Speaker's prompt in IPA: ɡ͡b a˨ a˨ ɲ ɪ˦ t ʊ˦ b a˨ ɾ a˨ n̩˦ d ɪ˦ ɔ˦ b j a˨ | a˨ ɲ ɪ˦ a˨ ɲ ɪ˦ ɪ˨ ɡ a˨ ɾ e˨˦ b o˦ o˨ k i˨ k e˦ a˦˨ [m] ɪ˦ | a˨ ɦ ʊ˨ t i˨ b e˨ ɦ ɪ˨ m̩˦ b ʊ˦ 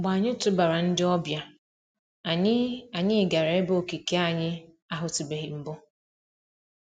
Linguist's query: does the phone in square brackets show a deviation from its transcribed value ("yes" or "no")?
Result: yes